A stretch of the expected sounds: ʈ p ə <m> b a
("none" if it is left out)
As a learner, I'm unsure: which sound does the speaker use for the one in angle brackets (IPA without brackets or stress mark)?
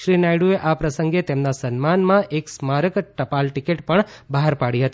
ɳ